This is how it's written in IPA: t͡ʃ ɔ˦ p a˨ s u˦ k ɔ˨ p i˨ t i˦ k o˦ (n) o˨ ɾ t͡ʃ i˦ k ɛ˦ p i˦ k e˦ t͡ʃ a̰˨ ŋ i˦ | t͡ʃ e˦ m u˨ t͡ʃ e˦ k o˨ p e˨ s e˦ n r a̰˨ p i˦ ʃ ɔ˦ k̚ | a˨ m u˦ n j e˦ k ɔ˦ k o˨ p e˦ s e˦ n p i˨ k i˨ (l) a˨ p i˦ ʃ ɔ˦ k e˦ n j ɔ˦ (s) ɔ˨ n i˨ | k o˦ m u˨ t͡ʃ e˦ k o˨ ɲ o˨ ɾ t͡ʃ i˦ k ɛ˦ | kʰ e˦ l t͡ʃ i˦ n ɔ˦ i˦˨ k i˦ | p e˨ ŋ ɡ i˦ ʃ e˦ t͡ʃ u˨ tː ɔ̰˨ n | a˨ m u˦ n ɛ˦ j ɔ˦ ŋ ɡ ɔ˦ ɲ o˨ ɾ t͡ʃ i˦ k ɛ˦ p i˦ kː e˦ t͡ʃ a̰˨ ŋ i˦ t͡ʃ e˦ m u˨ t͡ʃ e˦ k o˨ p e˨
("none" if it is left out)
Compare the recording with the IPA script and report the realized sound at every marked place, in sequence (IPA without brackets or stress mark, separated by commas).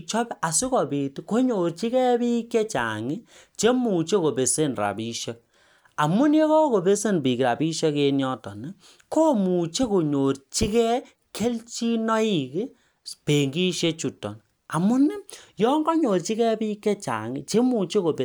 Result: ɲ, ɾ, t